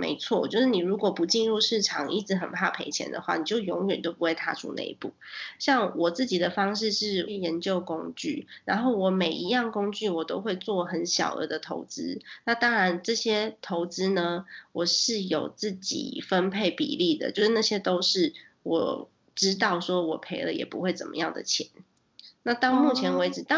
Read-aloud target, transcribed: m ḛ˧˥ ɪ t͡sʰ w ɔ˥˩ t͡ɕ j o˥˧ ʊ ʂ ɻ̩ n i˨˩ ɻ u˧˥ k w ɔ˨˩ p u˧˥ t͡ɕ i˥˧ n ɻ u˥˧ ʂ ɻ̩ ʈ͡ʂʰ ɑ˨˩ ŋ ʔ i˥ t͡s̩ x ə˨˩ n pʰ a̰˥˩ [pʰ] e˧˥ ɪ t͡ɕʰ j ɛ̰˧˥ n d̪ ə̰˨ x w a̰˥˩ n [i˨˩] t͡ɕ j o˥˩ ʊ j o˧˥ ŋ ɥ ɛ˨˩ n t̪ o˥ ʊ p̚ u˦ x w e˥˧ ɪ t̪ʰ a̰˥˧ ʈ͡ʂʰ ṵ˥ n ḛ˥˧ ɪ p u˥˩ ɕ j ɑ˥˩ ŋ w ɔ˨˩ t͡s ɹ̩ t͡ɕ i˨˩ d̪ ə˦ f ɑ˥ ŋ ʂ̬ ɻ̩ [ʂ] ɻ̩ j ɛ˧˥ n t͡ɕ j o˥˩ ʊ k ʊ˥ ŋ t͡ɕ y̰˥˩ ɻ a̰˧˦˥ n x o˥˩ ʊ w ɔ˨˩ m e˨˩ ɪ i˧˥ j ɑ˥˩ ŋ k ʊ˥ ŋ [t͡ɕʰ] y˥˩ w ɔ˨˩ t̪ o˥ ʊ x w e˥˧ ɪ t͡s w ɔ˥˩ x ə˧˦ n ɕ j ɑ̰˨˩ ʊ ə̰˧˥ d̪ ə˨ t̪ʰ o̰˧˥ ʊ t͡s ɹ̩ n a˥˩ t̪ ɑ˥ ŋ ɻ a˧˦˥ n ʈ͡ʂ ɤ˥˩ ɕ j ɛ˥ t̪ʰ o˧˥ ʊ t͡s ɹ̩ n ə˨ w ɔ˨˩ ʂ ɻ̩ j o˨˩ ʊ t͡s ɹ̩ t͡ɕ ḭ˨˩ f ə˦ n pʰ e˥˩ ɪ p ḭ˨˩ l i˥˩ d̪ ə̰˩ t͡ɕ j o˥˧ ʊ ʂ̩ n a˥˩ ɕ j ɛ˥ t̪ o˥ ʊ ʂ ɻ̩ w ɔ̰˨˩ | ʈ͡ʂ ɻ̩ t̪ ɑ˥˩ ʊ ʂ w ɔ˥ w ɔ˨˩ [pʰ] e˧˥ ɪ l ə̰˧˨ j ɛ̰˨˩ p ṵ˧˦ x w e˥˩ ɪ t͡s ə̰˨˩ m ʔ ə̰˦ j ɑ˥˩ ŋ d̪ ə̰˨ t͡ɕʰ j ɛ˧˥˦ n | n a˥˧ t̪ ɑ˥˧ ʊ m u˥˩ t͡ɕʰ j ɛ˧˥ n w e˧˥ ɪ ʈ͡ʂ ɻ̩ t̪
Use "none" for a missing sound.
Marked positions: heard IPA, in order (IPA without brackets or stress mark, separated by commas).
pʰ, i˨˩, ʂ, t͡ɕ, pʰ